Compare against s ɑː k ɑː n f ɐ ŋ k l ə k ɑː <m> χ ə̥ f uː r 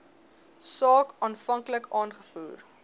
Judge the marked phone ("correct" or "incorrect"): incorrect